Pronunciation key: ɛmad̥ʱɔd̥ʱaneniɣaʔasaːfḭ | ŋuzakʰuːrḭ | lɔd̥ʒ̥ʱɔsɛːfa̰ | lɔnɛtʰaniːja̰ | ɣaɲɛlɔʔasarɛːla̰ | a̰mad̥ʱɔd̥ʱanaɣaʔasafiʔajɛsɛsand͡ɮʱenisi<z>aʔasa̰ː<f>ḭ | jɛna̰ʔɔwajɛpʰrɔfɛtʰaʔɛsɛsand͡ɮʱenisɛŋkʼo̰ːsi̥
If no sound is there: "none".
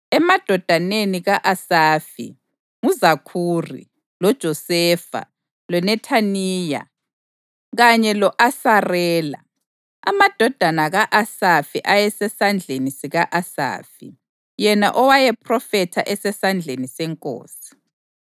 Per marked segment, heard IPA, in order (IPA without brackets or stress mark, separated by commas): ɣ, f